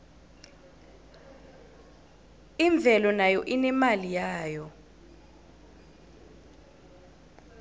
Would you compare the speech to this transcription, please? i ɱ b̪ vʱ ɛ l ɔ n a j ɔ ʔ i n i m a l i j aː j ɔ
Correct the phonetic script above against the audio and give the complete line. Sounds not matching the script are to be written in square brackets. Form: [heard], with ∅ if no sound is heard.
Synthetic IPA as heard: i ɱ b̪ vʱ ɛ l ɔ n a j ɔ ʔ i n [ɛ] m a l i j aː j ɔ